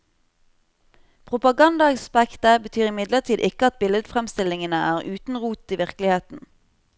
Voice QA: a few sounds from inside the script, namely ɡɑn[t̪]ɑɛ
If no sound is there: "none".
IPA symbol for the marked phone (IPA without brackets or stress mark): d̪